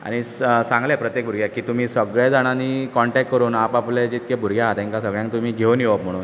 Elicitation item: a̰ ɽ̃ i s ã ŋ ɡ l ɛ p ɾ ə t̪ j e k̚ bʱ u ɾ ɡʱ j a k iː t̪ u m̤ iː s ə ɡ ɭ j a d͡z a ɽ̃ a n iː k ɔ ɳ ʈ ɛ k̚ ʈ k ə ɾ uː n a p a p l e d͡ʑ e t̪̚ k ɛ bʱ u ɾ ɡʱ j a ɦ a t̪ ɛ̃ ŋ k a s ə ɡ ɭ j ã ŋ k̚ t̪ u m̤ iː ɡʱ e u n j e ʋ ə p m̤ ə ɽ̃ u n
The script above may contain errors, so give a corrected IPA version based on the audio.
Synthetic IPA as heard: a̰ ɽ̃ i s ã ŋ ɡ l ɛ p ɾ ə t̪ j e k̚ bʱ u ɾ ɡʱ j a k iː t̪ u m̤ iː s ə ɡ ɭ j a d͡z a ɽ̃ a n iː k ɔ ɳ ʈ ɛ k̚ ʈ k ə ɾ uː n a p a p l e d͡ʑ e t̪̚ k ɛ bʱ u ɾ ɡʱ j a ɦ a t̪ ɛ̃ ŋ k a s ə ɡ ɭ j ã ŋ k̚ t̪ u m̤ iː ɡʱ e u n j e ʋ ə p m̤ ə ɽ̃ uː n